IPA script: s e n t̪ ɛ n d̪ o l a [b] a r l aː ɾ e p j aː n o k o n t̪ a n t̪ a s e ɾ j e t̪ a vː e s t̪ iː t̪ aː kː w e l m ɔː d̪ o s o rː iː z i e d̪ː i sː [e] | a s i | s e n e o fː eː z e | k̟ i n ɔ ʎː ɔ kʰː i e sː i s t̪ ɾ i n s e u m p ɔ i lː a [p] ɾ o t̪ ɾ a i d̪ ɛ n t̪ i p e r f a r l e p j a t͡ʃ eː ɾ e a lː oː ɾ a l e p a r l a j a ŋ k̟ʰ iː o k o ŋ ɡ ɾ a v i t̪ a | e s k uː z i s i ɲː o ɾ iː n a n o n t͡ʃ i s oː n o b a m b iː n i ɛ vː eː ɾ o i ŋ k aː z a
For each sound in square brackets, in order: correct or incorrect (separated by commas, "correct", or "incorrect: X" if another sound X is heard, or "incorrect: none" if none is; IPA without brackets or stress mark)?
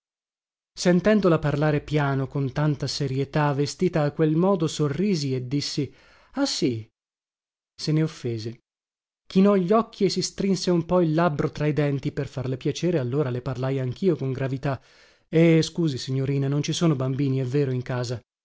incorrect: p, incorrect: i, incorrect: b